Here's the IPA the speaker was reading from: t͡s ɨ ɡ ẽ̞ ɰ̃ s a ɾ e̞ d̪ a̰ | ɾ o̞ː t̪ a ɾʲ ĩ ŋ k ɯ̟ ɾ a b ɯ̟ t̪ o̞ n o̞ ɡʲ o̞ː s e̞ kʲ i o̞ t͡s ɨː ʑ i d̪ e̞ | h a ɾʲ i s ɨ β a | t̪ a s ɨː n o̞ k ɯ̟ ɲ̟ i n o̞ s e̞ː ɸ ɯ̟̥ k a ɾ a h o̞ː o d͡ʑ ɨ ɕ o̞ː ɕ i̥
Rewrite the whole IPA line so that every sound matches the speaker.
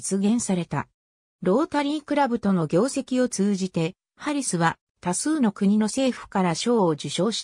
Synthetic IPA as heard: t͡s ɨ ɡ ẽ̞ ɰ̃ s a ɾ e̞ t̪ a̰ | ɾ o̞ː t̪ a ɾʲ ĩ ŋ k ɯ̟ ɾ a b ɯ̟ t̪ o̞ n o̞ ɡʲ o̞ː s e̞ kʲ i o̞ t͡s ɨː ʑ i t̪ e̞ | h a ɾʲ i s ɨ β a | t̪ a s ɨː n o̞ k ɯ̟ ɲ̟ i n o̞ s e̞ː ɸ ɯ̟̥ k a ɾ a ɕ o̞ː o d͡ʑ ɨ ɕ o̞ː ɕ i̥